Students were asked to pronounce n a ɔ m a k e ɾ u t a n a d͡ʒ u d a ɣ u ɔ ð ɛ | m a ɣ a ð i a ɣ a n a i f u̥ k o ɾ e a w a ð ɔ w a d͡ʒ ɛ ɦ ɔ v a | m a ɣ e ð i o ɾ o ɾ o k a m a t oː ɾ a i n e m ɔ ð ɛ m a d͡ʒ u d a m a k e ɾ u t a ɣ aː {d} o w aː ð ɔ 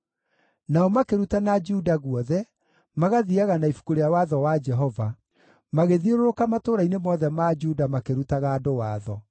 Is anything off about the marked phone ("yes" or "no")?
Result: no